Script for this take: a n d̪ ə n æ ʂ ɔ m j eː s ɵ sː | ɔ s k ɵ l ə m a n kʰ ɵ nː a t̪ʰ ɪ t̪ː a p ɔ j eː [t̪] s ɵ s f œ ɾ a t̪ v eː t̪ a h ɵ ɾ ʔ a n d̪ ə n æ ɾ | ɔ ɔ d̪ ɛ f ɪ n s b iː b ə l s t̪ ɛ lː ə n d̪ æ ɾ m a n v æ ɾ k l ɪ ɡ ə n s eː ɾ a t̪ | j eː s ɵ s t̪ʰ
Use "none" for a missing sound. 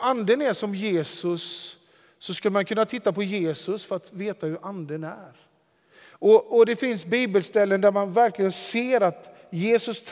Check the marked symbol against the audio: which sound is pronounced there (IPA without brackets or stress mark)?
none